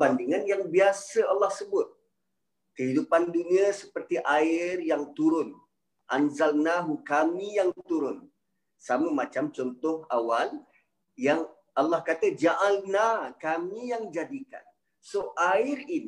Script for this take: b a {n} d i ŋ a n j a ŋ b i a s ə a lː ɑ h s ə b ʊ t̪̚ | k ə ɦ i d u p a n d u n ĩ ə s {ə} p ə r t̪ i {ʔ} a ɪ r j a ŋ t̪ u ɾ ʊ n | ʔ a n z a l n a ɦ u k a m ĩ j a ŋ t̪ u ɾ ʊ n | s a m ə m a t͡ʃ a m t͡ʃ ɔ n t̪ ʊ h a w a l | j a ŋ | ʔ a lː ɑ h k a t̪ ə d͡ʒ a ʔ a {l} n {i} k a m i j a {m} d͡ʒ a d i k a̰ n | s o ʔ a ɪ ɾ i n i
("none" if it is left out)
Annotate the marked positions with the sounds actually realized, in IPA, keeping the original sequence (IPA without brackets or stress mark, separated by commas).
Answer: n, ə, ʔ, l, a, ŋ